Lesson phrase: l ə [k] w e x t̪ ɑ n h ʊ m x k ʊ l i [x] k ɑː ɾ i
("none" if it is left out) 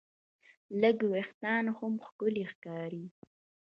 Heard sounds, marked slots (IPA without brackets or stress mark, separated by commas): ɡ, x